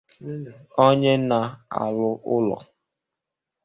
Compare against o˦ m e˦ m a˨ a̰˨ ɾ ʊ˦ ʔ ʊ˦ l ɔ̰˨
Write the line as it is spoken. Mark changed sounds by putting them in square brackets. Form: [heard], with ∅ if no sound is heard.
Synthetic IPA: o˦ [ɲ] e˦ [n] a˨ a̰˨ [l] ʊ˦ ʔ ʊ˦ l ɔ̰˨

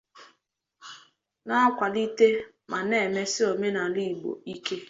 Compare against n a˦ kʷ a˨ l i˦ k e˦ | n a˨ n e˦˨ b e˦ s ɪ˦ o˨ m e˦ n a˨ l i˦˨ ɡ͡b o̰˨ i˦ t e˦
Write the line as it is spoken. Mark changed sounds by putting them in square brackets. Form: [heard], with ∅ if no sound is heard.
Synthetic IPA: n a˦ kʷ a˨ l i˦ [t] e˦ | [m] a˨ n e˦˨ [m] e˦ s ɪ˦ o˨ m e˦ n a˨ l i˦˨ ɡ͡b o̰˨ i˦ [k] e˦

